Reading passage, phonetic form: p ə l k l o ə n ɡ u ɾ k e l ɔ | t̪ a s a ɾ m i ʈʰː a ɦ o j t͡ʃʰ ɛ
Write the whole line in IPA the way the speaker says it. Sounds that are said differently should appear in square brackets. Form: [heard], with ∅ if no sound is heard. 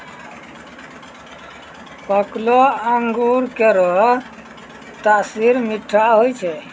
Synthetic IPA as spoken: p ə [∅] k l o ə [ŋ] ɡ u ɾ k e [ɾ] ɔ | t̪ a s [i] ɾ m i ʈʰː a ɦ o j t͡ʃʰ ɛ

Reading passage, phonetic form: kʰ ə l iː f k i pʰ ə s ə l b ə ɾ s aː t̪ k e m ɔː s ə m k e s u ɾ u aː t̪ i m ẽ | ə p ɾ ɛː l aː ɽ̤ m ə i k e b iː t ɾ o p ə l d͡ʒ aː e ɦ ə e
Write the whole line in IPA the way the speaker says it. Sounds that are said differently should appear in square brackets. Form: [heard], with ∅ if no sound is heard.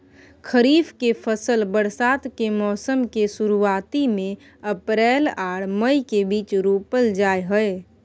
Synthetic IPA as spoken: kʰ ə [ɾ] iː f k [e] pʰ ə s ə l b ə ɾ s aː t̪ k e m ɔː s ə m k e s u ɾ u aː t̪ i m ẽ | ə p ɾ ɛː l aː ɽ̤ m ə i k e b iː [t͡ʃ] ɾ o p ə l d͡ʒ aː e ɦ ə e

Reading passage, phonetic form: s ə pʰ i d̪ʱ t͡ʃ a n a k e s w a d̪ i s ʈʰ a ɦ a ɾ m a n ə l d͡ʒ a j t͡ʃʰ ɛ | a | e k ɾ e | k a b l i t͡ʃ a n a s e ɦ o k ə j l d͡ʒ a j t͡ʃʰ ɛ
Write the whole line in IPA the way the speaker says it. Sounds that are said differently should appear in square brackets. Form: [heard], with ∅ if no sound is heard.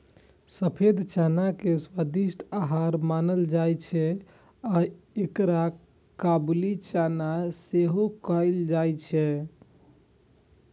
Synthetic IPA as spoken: s ə pʰ [e] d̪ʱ t͡ʃ a n a k e s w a d̪ i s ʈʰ a ɦ a ɾ m a n ə l d͡ʒ a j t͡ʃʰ ɛ | a | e k ɾ [a] | k a b l i t͡ʃ a n a s e ɦ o k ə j l d͡ʒ a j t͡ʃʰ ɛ

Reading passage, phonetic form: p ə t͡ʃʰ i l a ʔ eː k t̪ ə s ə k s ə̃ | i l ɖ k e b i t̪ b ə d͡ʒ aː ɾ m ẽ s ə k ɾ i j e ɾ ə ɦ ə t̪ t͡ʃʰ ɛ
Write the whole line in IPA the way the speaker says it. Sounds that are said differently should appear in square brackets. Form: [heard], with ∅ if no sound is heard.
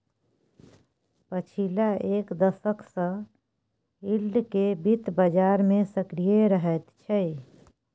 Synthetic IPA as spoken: p ə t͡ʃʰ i l a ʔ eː k [d̪] ə s ə k s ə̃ | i l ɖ k e b i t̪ b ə d͡ʒ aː ɾ m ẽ s ə k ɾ i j e ɾ ə ɦ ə t̪ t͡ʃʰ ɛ

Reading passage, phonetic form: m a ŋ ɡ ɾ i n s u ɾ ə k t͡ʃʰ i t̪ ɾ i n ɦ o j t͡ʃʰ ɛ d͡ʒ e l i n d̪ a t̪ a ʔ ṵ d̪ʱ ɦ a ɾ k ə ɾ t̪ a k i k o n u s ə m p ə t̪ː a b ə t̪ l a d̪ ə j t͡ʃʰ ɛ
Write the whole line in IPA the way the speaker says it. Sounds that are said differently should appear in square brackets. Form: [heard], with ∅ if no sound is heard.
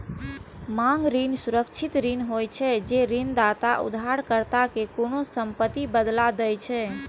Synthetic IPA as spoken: m a ŋ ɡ ɾ i n s u ɾ ə k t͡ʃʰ i t̪ ɾ i n ɦ o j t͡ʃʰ ɛ d͡ʒ e [ɾ] i n d̪ a t̪ a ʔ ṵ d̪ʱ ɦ a ɾ k ə ɾ t̪ a k [e] k o n [o] s ə m p ə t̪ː [i] b ə [d̪] l a d̪ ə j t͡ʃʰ ɛ

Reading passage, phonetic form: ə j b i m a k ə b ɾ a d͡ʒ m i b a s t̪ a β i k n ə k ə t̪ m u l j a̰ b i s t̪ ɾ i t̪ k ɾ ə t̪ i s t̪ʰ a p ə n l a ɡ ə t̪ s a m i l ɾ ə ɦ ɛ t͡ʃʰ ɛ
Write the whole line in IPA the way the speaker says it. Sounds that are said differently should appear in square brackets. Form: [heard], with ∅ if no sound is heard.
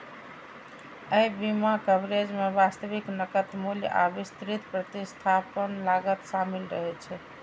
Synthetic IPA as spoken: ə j b i m a k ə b ɾ [e] d͡ʒ m [e] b a s t̪ [ə] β i k n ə k ə t̪ m u l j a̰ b i s t̪ ɾ i t̪ [p] ɾ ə t̪ i s t̪ʰ a p ə n l a ɡ ə t̪ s a m i l ɾ ə ɦ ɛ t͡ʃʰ ɛ

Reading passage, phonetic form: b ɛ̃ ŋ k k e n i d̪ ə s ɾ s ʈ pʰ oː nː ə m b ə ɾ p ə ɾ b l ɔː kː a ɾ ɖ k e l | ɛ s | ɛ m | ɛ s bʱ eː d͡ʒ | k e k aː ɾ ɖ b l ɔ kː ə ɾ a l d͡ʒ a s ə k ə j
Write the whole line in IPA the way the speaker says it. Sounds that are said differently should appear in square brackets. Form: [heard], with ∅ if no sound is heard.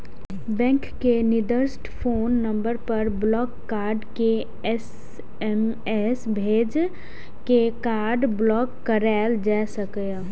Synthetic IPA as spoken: b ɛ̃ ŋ k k e n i d̪ ə [∅] ɾ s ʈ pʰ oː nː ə m b ə ɾ p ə ɾ b l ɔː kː a ɾ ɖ k e [∅] | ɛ s | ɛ m | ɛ s bʱ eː d͡ʒ | k e k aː ɾ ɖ b l ɔ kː ə ɾ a l d͡ʒ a s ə k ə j

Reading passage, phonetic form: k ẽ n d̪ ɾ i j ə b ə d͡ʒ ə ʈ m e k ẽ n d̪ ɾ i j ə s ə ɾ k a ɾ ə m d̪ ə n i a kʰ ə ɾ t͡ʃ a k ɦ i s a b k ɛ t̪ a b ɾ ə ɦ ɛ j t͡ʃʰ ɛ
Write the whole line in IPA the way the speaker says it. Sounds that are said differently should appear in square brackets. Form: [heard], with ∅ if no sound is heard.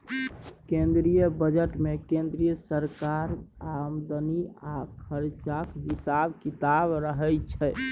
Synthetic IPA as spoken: k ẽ n d̪ ɾ i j ə b ə d͡ʒ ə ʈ m e k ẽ n d̪ ɾ i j ə s ə ɾ k a ɾ [a] m d̪ ə n i a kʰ ə ɾ t͡ʃ a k ɦ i s a b k [i] t̪ a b ɾ ə ɦ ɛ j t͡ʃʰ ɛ

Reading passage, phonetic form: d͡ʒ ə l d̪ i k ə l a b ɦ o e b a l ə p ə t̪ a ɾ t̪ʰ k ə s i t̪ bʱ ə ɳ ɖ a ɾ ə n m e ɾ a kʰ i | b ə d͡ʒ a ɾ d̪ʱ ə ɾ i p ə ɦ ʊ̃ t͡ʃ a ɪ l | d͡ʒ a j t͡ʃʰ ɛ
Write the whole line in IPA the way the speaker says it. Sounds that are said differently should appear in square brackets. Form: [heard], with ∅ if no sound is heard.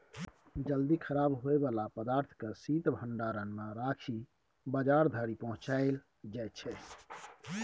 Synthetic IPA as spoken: d͡ʒ ə l d̪ i [kʰ] ə [ɾ] a b ɦ o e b a l [a] p ə [d̪] a ɾ t̪ʰ k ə s i t̪ bʱ ə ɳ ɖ a ɾ ə n m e ɾ a kʰ i | b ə d͡ʒ a ɾ d̪ʱ ə ɾ i p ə ɦ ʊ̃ t͡ʃ a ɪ l | d͡ʒ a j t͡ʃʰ ɛ

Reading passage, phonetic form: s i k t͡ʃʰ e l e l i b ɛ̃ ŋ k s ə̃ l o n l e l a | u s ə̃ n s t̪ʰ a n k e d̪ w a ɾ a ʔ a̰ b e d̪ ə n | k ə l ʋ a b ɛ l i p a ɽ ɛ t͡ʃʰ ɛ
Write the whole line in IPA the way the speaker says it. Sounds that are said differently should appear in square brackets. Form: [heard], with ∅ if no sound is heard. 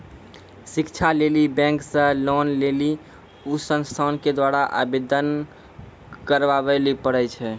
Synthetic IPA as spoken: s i k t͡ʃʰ [a] l e l i b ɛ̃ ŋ k s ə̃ l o n l e l [i] | u s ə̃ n s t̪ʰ a n k e d̪ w a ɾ a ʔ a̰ b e d̪ ə n | k ə [ɾ] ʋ a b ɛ l i p [ə] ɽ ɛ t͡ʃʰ ɛ

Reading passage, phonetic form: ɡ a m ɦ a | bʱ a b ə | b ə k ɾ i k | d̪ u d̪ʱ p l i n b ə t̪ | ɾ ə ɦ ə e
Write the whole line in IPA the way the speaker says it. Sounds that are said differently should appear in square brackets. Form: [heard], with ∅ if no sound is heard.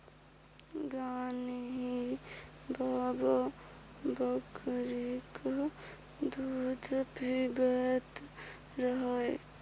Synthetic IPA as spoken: ɡ a [n] ɦ [i] | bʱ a b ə | b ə k ɾ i k | d̪ u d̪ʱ p [ɾ] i [∅] b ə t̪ | ɾ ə ɦ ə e

